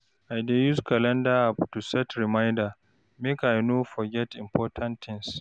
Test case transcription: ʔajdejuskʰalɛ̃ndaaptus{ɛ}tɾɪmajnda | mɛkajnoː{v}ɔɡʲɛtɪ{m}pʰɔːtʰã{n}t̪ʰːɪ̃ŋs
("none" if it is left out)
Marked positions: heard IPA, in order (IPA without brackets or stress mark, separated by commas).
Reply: ɛ, f, m, n